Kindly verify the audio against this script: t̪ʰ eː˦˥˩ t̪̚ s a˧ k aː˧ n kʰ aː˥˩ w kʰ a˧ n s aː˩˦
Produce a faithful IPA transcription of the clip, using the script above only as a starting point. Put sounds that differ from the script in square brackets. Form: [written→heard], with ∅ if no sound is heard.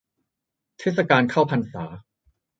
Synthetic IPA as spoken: t̪ʰ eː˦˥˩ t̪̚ s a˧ k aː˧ n kʰ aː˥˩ w [kʰ→pʰ] a˧ n s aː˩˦